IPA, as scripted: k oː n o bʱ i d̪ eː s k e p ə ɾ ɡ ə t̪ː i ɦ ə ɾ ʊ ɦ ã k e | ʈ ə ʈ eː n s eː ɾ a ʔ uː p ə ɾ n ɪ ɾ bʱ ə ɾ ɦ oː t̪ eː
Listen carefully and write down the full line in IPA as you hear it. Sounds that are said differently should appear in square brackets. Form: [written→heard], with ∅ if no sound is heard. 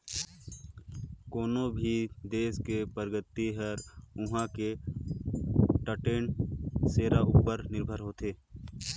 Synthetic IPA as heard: k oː n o bʱ i d̪ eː s k e p ə ɾ ɡ ə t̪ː i ɦ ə ɾ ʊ ɦ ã k e | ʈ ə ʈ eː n s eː ɾ a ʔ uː p ə ɾ n ɪ ɾ bʱ ə ɾ ɦ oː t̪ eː